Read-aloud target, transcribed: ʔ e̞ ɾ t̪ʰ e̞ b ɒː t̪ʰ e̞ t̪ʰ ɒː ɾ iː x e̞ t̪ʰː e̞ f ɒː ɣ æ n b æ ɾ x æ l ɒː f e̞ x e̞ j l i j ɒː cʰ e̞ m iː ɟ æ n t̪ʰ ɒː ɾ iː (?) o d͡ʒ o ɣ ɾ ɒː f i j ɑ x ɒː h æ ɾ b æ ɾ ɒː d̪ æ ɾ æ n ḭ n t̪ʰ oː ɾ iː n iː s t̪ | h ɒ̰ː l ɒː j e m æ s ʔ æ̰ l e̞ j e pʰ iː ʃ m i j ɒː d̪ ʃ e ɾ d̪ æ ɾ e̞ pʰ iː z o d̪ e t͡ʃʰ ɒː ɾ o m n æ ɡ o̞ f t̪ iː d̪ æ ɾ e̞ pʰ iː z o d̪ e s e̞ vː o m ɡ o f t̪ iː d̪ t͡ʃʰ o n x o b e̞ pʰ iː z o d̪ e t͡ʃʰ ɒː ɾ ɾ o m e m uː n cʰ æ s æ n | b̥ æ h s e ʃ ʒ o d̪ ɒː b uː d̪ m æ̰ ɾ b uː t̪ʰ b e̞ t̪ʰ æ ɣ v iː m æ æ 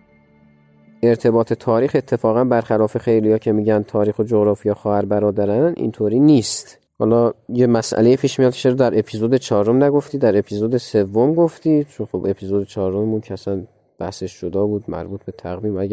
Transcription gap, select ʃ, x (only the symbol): x